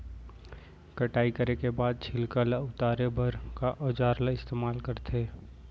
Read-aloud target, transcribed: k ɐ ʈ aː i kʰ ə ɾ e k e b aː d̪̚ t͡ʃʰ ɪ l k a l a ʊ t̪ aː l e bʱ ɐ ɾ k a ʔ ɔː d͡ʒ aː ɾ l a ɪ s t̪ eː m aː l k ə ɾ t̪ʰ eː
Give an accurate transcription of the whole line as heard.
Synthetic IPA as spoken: k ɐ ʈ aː i k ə ɾ e k e b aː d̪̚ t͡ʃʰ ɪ l k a l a ʊ t̪ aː ɾ e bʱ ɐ ɾ k a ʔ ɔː d͡ʒ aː ɾ l a ɪ s t̪ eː m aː l k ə ɾ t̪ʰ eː